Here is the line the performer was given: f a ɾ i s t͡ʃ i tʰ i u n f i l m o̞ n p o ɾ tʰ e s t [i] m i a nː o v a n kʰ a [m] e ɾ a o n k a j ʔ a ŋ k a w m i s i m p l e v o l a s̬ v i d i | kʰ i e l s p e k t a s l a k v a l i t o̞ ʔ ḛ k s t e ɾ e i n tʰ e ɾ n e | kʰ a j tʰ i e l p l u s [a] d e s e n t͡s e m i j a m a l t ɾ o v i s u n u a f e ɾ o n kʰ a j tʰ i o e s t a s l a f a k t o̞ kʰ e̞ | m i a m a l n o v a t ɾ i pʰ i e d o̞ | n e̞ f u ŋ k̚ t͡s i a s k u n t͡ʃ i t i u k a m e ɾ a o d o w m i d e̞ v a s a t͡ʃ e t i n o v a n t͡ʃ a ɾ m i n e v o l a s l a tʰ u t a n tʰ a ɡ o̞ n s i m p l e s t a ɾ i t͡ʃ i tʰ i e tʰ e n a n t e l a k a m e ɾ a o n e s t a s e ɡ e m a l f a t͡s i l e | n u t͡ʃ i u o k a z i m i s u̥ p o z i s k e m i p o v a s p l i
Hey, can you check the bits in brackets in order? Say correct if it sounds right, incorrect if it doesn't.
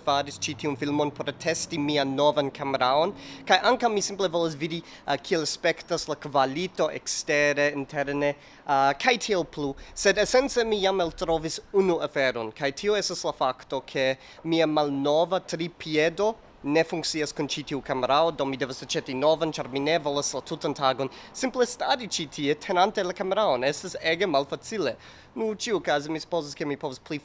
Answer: correct, correct, incorrect: e

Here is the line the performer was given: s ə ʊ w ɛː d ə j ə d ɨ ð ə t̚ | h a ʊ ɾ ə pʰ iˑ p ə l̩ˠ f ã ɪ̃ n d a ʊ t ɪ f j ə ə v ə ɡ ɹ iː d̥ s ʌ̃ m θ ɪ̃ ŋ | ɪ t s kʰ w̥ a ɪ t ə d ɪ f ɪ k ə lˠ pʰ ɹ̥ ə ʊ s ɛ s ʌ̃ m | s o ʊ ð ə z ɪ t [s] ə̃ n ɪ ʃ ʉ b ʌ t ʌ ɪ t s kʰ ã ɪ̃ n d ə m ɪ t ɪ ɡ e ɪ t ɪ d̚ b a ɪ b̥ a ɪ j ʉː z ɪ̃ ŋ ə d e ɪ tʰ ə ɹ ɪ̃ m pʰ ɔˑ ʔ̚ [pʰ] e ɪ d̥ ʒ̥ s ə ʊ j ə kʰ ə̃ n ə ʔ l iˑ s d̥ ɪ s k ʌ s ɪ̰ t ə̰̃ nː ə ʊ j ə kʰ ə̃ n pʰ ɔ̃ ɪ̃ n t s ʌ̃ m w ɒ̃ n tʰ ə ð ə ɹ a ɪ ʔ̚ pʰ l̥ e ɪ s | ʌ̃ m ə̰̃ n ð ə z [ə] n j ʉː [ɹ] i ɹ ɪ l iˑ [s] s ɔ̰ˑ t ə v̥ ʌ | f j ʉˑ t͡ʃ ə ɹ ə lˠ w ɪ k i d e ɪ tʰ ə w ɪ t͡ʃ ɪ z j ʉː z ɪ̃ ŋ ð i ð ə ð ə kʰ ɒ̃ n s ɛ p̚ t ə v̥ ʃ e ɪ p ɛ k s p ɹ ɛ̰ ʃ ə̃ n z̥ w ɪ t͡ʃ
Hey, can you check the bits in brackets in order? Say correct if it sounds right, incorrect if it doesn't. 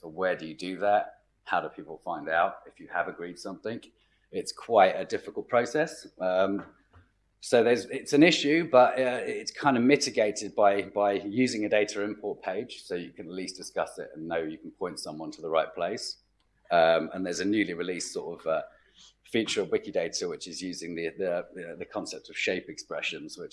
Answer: correct, correct, correct, incorrect: l, correct

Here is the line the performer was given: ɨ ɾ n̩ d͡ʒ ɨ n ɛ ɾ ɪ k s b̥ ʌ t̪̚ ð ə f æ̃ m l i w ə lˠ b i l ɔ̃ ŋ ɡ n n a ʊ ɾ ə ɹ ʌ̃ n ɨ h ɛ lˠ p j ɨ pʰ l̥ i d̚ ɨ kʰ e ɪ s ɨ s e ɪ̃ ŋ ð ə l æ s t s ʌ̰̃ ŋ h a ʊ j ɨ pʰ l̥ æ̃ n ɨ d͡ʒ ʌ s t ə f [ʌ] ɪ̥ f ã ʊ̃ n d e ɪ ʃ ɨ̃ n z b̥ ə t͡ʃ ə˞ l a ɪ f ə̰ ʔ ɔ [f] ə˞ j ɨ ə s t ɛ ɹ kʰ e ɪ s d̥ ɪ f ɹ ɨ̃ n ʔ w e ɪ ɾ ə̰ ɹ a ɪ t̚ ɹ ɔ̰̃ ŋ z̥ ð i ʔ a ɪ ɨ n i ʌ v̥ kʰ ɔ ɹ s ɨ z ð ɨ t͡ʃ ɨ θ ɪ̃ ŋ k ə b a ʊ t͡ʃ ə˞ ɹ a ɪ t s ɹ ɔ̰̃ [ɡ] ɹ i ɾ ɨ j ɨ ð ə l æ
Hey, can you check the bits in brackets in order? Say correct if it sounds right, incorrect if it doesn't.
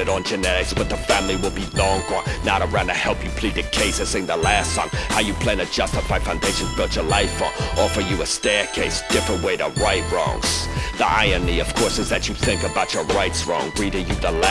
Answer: incorrect: a, correct, incorrect: ŋ

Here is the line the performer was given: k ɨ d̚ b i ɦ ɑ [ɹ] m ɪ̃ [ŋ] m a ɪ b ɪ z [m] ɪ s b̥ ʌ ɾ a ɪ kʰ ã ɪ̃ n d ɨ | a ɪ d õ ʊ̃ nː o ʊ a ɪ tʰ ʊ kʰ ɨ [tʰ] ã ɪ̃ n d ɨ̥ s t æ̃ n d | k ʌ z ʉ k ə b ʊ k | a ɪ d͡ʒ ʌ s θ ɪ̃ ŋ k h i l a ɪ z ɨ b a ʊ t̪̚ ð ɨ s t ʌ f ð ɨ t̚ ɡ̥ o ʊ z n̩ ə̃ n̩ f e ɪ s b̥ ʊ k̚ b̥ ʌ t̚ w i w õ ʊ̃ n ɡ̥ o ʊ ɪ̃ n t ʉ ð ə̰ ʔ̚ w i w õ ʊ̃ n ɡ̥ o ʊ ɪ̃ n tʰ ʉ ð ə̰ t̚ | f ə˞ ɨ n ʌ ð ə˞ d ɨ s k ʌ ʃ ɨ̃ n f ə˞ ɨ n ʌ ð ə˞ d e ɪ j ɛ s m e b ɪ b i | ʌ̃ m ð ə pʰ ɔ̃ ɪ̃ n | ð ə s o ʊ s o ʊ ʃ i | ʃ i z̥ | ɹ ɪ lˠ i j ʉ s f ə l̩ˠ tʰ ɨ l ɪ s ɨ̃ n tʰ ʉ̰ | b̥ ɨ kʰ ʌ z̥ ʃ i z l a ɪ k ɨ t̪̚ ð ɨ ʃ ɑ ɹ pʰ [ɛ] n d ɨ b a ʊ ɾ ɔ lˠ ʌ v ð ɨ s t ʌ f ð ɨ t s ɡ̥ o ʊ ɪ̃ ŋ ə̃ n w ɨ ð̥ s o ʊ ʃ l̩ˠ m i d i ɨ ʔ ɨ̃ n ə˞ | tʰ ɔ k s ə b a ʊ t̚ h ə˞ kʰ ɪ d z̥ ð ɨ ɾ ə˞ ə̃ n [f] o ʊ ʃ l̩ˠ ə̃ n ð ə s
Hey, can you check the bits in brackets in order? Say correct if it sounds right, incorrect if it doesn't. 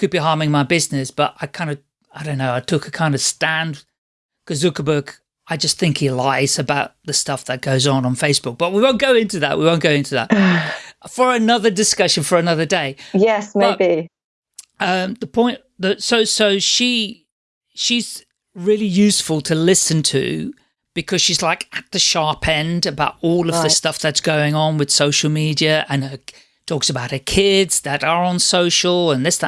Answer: correct, correct, incorrect: n, incorrect: kʰ, incorrect: ɛ̃, incorrect: s

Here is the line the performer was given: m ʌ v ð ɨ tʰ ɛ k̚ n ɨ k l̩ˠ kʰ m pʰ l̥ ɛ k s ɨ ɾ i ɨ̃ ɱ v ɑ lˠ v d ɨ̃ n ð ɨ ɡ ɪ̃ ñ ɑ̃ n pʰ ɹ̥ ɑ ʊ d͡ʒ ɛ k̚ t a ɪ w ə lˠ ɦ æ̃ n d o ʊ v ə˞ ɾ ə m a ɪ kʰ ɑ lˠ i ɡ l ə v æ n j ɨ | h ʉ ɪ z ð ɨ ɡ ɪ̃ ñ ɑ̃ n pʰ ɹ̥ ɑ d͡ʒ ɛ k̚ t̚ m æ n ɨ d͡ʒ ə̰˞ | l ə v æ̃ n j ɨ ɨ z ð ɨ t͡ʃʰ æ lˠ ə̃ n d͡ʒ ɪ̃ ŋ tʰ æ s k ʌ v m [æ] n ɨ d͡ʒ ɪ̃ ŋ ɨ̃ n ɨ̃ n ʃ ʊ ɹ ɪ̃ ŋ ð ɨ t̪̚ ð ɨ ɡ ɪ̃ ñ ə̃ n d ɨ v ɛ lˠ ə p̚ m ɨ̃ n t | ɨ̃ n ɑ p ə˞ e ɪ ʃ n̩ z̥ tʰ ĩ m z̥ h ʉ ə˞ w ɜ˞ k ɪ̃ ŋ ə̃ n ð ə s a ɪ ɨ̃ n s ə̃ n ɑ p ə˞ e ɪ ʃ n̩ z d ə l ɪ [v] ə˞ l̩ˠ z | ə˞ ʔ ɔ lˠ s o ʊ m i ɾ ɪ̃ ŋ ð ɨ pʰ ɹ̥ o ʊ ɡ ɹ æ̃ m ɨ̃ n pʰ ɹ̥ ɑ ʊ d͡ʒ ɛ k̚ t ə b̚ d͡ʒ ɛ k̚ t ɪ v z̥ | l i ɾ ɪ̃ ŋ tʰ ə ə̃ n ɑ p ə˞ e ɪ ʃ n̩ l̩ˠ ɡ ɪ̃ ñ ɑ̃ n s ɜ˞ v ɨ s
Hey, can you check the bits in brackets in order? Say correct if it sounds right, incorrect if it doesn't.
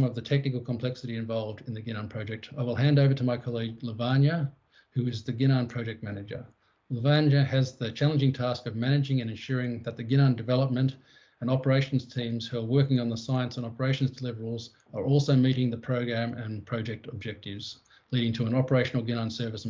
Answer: correct, correct

